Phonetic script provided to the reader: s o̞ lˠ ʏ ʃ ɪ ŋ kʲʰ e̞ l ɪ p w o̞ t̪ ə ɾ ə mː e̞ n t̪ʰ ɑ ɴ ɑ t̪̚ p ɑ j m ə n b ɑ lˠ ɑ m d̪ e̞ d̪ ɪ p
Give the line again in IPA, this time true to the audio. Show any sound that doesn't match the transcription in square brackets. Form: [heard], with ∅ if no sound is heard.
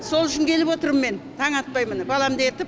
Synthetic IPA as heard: s o̞ lˠ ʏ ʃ ɪ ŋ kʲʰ e̞ l ɪ p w o̞ t̪ ə ɾ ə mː e̞ n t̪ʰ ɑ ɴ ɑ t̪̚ p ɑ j m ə n b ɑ lˠ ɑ m d̪ e̞ [t̪] ɪ p